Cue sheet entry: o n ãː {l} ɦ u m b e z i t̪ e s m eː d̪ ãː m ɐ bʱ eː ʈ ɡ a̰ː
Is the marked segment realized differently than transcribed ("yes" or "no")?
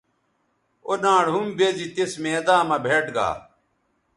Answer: yes